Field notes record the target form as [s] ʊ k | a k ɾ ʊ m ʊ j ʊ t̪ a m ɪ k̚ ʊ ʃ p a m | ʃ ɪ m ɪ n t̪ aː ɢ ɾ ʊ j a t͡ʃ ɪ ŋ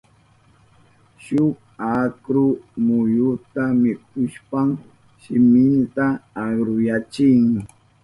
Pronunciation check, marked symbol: incorrect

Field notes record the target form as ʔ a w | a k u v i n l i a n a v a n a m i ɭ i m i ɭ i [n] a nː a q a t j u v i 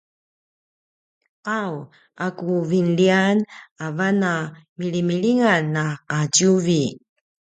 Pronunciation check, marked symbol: incorrect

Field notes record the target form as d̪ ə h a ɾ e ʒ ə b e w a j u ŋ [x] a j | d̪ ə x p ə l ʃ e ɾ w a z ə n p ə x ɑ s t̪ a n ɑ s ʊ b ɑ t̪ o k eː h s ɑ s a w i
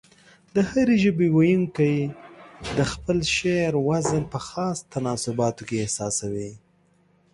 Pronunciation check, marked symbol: incorrect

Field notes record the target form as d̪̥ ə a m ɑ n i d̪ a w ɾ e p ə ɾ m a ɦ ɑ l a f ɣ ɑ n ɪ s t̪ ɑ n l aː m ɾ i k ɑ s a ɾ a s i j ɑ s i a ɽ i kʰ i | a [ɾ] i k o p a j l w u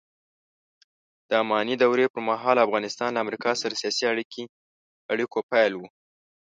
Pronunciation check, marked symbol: incorrect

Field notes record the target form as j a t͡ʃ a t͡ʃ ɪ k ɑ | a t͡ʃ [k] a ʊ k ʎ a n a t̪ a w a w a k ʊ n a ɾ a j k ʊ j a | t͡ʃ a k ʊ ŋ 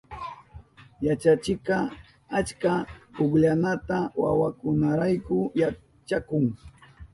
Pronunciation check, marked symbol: correct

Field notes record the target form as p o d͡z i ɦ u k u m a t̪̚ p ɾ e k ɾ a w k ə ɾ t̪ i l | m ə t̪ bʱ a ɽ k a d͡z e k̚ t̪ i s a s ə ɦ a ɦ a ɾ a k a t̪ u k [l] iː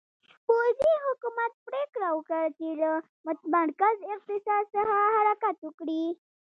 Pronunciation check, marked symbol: incorrect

